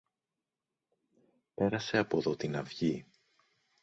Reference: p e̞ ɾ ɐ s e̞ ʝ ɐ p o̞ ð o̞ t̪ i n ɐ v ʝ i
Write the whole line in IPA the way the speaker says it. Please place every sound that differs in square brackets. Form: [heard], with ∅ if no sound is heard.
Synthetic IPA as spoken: p e̞ ɾ ɐ s e̞ [∅] ɐ p o̞ ð o̞ t̪ i n ɐ v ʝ i